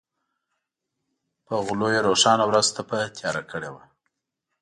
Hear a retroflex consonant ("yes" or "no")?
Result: yes